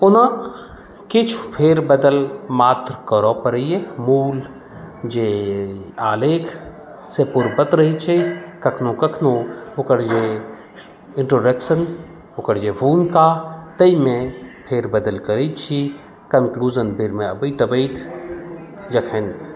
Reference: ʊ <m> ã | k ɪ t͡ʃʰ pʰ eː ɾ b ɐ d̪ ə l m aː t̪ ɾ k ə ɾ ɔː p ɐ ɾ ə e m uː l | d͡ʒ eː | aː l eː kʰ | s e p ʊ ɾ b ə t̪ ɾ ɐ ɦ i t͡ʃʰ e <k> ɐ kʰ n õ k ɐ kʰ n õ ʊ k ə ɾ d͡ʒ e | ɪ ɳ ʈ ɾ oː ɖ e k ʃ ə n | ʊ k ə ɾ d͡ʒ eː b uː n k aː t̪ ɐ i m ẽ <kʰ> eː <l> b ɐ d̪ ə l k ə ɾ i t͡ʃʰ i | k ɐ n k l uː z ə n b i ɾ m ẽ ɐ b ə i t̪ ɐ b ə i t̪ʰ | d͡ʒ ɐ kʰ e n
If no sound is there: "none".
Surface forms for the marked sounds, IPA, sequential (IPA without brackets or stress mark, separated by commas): n, k, pʰ, ɾ